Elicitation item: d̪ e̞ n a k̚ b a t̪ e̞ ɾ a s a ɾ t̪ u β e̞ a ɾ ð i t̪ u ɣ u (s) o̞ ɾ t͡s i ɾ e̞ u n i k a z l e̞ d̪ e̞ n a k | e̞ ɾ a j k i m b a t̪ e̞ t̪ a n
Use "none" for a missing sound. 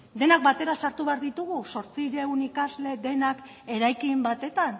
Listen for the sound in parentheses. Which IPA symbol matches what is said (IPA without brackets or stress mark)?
s